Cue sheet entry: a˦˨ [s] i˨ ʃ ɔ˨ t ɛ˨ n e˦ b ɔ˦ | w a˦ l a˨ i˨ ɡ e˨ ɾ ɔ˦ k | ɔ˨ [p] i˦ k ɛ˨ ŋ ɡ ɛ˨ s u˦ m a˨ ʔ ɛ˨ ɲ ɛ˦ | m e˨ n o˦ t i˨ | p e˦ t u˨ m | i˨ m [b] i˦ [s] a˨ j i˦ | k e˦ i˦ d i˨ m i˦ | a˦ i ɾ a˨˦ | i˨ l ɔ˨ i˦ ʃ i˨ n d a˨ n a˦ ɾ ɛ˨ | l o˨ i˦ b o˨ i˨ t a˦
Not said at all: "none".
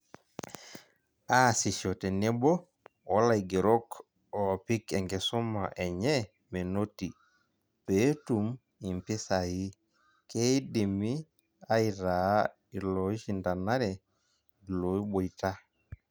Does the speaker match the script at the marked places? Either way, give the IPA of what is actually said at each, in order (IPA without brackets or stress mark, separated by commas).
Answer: s, p, p, s